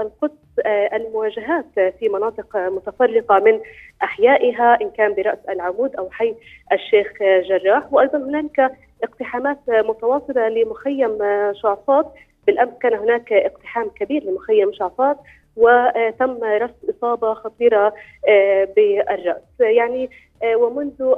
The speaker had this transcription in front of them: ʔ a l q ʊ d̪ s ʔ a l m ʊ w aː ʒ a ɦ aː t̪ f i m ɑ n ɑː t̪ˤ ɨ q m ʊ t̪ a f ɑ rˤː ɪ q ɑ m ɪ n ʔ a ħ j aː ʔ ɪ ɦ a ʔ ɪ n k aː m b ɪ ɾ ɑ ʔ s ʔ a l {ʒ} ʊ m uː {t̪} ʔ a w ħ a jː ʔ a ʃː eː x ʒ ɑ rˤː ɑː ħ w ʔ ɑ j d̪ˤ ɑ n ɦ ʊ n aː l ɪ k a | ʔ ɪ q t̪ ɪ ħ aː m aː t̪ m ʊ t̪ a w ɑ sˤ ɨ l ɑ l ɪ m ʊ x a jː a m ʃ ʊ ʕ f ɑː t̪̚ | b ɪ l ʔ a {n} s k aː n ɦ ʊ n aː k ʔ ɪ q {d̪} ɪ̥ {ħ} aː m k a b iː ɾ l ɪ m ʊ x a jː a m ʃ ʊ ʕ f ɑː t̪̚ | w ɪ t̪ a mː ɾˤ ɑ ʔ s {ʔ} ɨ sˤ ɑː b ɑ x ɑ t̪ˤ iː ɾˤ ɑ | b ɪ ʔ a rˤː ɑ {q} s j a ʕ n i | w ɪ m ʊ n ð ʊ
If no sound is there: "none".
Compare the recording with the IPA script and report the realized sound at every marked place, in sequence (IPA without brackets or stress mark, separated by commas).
ʕ, d̪, m, t̪, ħ, ʔ, ʔ